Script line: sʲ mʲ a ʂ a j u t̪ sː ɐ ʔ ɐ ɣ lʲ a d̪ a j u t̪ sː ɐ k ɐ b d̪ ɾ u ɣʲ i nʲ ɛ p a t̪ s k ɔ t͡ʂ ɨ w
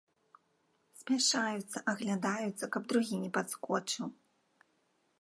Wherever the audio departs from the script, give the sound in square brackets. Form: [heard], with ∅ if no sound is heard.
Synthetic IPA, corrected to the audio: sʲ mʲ a ʂ a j u t̪ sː ɐ ʔ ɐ ɣ lʲ a d̪ a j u t̪ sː ɐ k ɐ b d̪ ɾ u ɣʲ i nʲ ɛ p a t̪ s k ɔ t͡ʂ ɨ w